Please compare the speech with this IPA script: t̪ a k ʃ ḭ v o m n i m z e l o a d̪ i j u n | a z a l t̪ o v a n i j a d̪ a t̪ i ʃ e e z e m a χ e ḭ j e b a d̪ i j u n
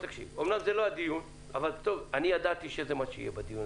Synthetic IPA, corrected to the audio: t̪ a k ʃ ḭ v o m n a m z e l o a d̪ i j u n | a v a l t̪ o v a n i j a d̪ a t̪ i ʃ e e z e m a ʃ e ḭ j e b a d̪ i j u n